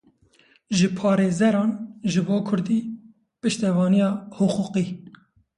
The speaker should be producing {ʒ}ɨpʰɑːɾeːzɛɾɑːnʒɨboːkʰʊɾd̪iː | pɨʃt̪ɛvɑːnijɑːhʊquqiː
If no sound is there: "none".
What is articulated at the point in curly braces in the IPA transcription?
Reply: ʒ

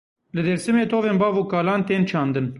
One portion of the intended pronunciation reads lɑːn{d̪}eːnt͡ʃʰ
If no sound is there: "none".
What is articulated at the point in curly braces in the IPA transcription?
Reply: t̪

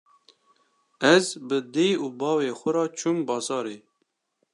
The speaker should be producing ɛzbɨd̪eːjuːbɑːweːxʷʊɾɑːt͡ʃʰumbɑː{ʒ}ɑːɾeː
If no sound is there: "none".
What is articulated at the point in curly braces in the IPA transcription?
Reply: z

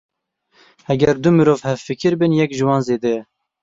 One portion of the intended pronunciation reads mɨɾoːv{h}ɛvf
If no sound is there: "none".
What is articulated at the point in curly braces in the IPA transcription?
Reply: h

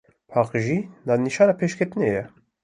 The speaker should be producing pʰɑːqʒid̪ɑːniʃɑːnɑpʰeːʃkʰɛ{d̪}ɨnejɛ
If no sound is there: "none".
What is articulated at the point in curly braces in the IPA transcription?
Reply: t̪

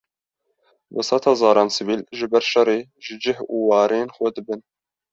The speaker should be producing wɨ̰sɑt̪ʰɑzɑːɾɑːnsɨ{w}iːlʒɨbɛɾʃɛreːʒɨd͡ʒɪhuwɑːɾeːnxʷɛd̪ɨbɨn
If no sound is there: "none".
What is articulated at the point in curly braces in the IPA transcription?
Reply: v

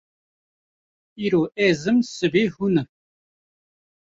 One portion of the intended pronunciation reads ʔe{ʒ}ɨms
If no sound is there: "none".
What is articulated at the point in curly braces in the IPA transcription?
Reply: z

